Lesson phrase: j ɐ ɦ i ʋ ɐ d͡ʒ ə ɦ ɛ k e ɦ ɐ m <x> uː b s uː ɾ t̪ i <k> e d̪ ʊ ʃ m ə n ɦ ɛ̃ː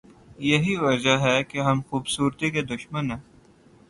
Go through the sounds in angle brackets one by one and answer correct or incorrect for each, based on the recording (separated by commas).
correct, correct